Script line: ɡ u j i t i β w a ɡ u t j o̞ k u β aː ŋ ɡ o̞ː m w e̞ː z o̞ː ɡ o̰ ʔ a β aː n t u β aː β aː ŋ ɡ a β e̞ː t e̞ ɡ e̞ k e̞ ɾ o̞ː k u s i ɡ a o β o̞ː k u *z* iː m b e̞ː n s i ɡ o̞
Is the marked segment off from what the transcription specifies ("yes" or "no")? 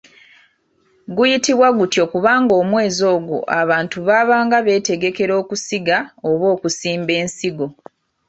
yes